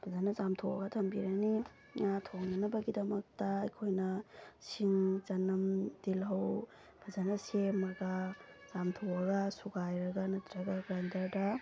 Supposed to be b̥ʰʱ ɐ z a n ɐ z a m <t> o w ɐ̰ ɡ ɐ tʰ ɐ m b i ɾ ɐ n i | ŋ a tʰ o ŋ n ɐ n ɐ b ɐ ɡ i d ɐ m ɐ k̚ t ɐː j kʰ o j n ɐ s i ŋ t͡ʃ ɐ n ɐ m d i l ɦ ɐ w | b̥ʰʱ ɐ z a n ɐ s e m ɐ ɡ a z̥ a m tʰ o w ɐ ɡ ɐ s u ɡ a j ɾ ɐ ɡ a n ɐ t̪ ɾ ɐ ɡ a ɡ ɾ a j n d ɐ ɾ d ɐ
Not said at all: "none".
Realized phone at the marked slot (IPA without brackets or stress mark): tʰ